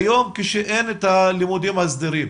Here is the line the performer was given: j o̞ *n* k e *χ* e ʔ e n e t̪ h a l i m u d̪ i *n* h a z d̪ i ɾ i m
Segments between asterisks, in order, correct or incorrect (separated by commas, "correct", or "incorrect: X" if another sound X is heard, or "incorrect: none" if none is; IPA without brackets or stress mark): incorrect: m, incorrect: ʃ, incorrect: m